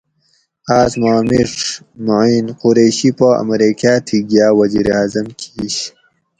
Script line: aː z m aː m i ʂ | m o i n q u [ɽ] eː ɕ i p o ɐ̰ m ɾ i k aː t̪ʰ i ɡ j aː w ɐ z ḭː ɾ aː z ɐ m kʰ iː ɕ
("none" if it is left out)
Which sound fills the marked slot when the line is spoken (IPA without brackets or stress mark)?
ɾ